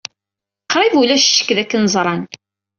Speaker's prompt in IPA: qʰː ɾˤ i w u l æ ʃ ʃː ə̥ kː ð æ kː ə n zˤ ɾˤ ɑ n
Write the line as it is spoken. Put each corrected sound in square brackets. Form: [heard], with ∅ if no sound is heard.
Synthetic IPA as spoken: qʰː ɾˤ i [v] u l æ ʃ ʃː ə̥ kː ð æ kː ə n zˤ ɾˤ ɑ n